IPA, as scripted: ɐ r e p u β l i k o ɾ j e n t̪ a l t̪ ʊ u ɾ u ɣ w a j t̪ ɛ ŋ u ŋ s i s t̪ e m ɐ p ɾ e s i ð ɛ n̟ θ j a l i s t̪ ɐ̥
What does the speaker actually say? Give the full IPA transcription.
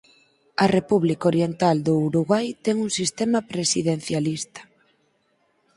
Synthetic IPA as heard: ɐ r e p u β l i k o ɾ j e n t̪ a l d̪ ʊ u ɾ u ɣ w a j t̪ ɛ ŋ u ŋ s i s t̪ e m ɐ p ɾ e s i ð e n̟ θ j a l i s t̪ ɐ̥